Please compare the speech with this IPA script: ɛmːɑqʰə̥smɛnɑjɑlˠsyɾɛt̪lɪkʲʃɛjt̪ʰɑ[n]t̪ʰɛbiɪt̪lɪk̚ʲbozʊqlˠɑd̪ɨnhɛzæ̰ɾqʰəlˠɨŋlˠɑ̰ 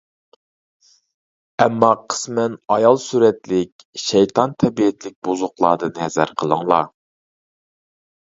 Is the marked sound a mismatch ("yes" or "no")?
no